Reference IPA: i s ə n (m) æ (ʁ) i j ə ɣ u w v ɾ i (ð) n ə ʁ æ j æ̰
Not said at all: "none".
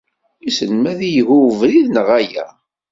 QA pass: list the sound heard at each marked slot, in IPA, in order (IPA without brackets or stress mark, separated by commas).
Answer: m, ð, ð